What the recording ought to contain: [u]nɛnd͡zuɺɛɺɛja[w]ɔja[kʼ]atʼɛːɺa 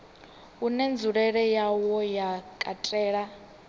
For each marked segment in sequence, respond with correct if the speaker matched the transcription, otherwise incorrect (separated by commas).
correct, correct, correct